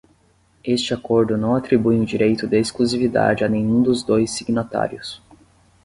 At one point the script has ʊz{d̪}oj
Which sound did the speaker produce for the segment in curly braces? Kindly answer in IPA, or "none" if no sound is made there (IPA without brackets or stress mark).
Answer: d̪